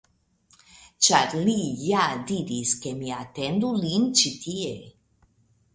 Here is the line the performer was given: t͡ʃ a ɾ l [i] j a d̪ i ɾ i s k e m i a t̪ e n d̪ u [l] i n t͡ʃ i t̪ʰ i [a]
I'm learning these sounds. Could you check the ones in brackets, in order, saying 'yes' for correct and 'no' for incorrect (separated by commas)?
yes, yes, no